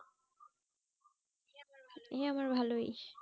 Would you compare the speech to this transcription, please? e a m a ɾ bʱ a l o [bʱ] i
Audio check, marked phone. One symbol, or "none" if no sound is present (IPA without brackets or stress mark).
none